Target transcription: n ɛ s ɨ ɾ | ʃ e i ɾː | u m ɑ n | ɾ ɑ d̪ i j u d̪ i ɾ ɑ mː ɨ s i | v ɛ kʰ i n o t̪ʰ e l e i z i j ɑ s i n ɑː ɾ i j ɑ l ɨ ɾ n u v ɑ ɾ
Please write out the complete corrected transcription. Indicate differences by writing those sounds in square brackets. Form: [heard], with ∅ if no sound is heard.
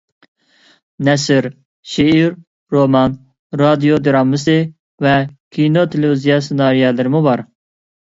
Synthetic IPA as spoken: n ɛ s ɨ ɾ | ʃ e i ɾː | [o] m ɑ n | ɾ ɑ d̪ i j [o] d̪ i ɾ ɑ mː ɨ s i | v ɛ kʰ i n o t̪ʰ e l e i z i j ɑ s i n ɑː ɾ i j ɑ l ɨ ɾ [m] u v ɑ ɾ